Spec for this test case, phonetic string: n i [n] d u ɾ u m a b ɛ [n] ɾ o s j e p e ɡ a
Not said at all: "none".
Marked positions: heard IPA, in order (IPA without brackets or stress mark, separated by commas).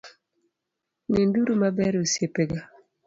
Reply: n, none